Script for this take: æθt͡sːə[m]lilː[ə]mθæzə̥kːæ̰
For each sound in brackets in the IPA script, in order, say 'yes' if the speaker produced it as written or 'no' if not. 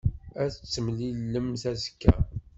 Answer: yes, yes

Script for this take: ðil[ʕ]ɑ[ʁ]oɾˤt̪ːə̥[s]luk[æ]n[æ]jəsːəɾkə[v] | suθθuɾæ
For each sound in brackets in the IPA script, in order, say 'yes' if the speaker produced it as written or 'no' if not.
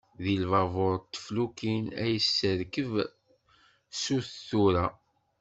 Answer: no, no, no, no, yes, yes

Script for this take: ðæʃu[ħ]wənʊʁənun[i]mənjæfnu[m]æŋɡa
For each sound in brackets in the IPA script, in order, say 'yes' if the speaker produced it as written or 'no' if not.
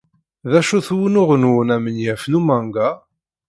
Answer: no, no, yes

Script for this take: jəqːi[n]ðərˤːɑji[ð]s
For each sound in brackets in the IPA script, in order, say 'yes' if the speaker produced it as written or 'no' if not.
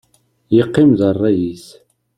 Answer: no, no

